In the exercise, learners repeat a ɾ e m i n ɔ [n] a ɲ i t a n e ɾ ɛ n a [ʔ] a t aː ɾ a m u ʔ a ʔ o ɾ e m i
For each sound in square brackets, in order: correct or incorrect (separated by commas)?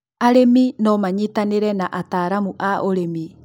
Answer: incorrect, correct